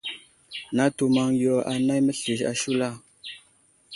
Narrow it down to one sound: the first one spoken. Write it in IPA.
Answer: n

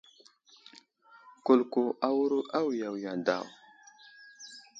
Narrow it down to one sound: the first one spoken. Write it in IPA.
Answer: k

